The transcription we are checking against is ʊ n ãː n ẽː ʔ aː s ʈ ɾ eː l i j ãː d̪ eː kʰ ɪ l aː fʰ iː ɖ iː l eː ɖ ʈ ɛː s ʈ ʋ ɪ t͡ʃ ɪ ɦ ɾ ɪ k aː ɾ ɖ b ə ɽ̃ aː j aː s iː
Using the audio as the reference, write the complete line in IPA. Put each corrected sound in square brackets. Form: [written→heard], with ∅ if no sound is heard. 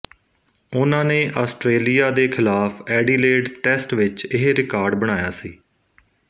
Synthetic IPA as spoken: ʊ n ãː n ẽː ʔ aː s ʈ ɾ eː l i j [ãː→aː] d̪ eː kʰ ɪ l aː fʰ [iː→ɛː] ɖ iː l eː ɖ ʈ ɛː s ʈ ʋ ɪ t͡ʃ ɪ ɦ ɾ ɪ k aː ɾ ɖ b ə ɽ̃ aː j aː s iː